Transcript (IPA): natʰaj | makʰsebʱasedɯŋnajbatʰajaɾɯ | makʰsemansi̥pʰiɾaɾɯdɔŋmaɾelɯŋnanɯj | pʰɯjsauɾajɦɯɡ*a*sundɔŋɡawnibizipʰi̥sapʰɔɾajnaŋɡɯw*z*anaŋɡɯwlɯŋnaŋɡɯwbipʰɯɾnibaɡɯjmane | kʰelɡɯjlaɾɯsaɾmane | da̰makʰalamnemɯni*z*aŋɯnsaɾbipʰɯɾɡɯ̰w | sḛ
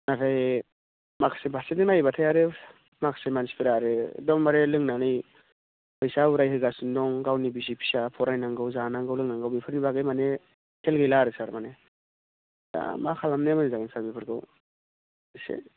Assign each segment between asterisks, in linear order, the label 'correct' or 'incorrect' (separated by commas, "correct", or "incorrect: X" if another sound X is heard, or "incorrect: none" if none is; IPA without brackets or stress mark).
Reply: correct, correct, correct